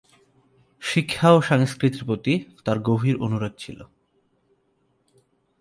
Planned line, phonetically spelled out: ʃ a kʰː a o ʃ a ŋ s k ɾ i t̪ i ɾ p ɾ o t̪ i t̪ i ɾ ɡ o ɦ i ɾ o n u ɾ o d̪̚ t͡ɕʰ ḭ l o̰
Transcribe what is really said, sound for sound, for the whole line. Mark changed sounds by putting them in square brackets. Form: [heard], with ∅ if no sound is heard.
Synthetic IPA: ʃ [i] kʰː a o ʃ a ŋ s k ɾ i t̪ i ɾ p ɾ o t̪ i t̪ [a] ɾ ɡ o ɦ i ɾ o n u ɾ o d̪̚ t͡ɕʰ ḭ l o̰